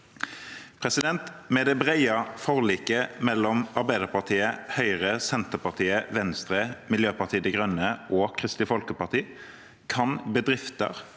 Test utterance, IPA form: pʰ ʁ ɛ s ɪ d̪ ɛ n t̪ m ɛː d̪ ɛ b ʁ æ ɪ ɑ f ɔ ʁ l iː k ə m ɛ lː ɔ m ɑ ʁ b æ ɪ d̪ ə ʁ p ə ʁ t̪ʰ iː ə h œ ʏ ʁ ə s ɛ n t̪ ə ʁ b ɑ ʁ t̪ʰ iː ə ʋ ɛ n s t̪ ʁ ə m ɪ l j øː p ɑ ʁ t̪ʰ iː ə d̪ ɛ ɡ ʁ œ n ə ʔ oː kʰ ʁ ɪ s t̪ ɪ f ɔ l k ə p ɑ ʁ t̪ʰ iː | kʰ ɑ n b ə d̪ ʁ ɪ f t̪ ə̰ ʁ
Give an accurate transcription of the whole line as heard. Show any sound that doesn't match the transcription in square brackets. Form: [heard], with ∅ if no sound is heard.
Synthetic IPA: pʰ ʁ ɛ s ɪ d̪ ɛ n t̪ m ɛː d̪ ɛ b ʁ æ ɪ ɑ f ɔ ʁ l iː k ə m ɛ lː ɔ m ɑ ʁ b æ ɪ d̪ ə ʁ p [ɑ] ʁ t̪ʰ iː ə h œ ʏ ʁ ə s ɛ n t̪ ə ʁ [p] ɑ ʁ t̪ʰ iː ə ʋ ɛ n s t̪ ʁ ə m ɪ l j øː p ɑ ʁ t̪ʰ iː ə d̪ ɛ ɡ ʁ œ n ə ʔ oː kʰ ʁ ɪ s t̪ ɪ f ɔ l k ə p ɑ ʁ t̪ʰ iː | kʰ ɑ n b ə d̪ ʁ ɪ f t̪ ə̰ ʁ